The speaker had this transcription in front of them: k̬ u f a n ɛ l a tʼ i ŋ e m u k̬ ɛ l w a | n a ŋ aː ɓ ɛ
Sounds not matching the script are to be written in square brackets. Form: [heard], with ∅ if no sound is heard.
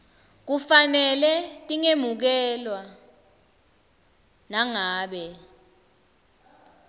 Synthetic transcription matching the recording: k̬ u f a n ɛ l [ɛ] tʼ i ŋ e m u k̬ ɛ l w a | n a ŋ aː ɓ ɛ